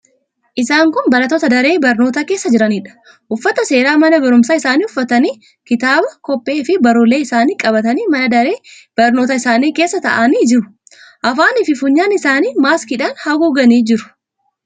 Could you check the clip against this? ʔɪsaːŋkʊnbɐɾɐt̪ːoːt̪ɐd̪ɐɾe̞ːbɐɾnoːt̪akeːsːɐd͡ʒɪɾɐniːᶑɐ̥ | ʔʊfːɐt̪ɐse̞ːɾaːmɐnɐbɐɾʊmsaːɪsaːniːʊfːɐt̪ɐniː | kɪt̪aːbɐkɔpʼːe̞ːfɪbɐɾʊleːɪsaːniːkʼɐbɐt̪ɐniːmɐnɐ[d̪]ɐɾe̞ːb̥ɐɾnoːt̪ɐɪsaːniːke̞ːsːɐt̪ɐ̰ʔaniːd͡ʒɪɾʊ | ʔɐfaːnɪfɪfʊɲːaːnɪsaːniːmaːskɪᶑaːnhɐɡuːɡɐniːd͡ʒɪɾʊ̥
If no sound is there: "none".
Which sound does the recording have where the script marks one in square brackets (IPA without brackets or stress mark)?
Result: d̪